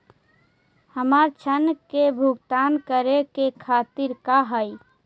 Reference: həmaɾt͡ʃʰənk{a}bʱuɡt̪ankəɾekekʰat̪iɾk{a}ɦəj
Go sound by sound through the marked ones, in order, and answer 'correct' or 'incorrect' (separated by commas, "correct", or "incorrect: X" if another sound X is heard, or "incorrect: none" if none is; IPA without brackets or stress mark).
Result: incorrect: e, correct